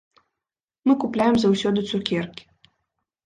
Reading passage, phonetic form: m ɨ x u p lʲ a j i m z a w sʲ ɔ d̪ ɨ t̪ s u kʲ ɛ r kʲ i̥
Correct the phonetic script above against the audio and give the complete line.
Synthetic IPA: m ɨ k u p lʲ a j ɛ m z a w sʲ ɔ d̪ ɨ t̪ s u kʲ ɛ r kʲ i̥

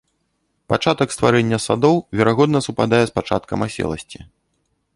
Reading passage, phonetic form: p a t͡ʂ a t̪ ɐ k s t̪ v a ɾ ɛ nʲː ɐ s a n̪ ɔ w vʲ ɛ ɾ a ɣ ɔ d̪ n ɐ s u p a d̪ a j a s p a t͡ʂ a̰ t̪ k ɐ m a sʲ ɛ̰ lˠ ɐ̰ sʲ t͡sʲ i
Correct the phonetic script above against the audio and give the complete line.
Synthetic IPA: p a t͡ʂ a t̪ ɐ k s t̪ v a ɾ ɛ nʲː ɐ s a d̪ ɔ w vʲ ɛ ɾ a ɣ ɔ d̪ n ɐ s u p a d̪ a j ɛ s p a t͡ʂ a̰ t̪ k ɐ m a sʲ ɛ̰ lˠ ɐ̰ sʲ t͡sʲ i

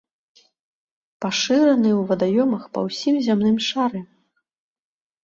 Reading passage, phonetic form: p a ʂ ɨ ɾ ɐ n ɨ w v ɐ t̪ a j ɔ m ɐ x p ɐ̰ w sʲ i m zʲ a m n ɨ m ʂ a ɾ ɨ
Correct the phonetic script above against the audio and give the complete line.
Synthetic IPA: p a ʂ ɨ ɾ ɐ n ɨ w v ɐ d̪ a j ɔ m ɐ x p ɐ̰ w sʲ i m zʲ a m n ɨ m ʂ a ɾ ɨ

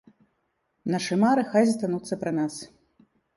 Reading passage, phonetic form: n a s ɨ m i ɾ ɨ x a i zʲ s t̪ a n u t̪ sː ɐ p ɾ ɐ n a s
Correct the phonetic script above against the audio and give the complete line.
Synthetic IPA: n a ʂ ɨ m a ɾ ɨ x a j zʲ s t̪ a n u t̪ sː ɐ p ɾ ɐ n a s

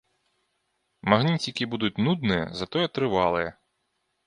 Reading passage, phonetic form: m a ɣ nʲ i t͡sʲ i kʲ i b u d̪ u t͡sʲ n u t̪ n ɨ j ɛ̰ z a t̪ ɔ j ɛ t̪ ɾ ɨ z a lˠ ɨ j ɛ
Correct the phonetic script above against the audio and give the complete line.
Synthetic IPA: m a ɣ nʲ i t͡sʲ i kʲ i b u d̪ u t͡sʲ n u d̪ n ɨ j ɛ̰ z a t̪ ɔ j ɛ t̪ ɾ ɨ v a lˠ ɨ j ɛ

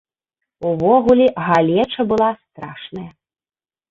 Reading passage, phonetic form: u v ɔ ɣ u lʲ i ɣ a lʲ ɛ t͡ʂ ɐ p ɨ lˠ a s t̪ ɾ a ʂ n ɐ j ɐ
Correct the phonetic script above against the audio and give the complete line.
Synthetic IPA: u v ɔ ɣ u lʲ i ɣ a lʲ ɛ t͡ʂ ɐ b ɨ lˠ a s t̪ ɾ a ʂ n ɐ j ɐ

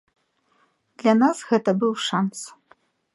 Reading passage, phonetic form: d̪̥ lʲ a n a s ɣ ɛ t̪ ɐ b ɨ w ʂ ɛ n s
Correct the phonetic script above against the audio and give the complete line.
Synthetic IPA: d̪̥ lʲ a n a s ɣ ɛ t̪ ɐ b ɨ w ʂ a n s

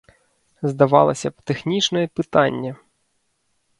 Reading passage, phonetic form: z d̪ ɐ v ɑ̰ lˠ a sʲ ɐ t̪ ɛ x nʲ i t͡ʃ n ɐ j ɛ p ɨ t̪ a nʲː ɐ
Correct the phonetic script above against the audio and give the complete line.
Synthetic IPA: z d̪ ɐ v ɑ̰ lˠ ɐ sʲ ɐ t̪ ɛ x nʲ i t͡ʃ n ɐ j ɛ p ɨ t̪ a nʲː ɐ

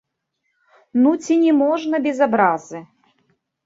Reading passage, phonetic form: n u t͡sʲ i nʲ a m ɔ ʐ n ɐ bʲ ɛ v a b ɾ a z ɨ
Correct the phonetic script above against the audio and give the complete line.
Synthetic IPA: n u t͡sʲ i nʲ ɛ m ɔ ʐ n ɐ bʲ ɛ z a b ɾ a z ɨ

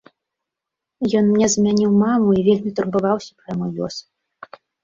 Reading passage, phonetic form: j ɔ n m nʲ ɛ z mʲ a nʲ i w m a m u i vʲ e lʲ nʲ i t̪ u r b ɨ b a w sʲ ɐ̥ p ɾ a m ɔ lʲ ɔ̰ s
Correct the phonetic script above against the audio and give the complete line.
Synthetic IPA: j ɔ n m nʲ ɛ z mʲ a nʲ i w m a m u i vʲ e lʲ mʲ i t̪ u r b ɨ v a w sʲ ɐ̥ p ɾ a m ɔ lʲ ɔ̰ s

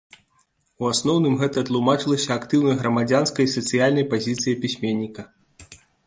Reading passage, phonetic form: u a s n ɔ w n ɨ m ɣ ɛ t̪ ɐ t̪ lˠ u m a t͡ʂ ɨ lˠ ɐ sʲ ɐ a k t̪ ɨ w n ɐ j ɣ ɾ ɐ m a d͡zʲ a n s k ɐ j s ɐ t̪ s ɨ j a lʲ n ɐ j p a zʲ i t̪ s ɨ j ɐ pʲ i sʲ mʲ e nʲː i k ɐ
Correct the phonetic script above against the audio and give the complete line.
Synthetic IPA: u a s n ɔ w n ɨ m ɣ ɛ t̪ ɐ t̪ lˠ u m a t͡ʂ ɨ lˠ ɐ sʲ ɐ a k t̪ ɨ w n ɐ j ɣ ɾ ɐ m a d͡zʲ a n s k ɐ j s ɐ t̪ s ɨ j a lʲ n ɐ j p a zʲ i t̪ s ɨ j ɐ pʲ i sʲ mʲ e nʲː i k ɐ

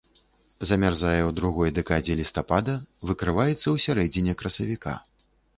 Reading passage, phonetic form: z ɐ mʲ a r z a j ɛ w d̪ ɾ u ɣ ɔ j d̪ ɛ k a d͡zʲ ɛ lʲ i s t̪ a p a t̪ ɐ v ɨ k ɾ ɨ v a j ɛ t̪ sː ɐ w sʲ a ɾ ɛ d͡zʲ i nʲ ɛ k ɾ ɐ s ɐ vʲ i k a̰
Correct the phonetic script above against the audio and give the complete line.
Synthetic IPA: z ɐ mʲ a r z a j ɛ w d̪ ɾ u ɣ ɔ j d̪ ɛ k a d͡zʲ ɛ lʲ i s t̪ a p a d̪ ɐ v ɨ k ɾ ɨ v a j ɛ t̪ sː ɐ w sʲ a ɾ ɛ d͡zʲ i nʲ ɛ k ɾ ɐ s ɐ vʲ i k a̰

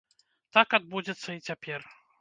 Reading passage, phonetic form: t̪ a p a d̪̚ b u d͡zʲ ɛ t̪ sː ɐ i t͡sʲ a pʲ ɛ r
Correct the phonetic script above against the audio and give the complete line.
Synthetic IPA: t̪ a k a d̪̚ b u d͡zʲ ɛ t̪ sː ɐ i t͡sʲ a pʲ ɛ r

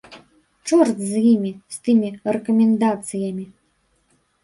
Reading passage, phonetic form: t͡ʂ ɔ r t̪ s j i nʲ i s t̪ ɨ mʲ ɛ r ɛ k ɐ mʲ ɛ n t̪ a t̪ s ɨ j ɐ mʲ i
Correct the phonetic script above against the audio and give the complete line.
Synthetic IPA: t͡ʂ ɔ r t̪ z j i mʲ i s t̪ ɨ mʲ i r ɛ k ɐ mʲ ɛ n d̪ a t̪ s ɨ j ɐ mʲ i

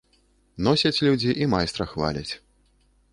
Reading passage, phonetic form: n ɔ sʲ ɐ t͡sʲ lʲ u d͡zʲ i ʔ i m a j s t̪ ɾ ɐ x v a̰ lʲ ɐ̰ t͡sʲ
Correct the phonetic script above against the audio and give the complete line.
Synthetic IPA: n ɔ sʲ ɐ t͡sʲ lʲ u d͡zʲ i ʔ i m a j s t̪ ɾ ɐ x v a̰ lʲ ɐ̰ t͡sʲ

